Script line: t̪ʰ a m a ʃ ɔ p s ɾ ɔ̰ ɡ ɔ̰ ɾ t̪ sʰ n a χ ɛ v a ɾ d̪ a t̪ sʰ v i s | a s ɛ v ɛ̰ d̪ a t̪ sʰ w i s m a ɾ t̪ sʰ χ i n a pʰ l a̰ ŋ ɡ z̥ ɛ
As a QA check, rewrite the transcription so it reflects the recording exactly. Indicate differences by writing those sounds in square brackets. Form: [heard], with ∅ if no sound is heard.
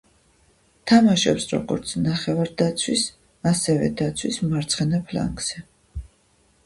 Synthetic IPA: t̪ʰ a m a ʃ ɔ p s ɾ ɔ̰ ɡ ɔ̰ ɾ t̪ sʰ n a χ ɛ v a ɾ d̪ a t̪ sʰ [w] i s | a s ɛ v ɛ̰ d̪ a t̪ sʰ w i s m a ɾ t̪ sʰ χ [ɛ] n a pʰ l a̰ ŋ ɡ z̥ ɛ